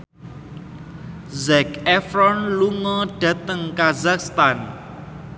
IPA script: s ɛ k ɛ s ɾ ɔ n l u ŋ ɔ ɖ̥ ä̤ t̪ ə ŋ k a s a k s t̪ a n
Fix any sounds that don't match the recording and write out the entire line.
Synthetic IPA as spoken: z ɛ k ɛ f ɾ ɔ n l u ŋ ɔ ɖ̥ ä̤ t̪ ə ŋ k a z a k s t̪ a n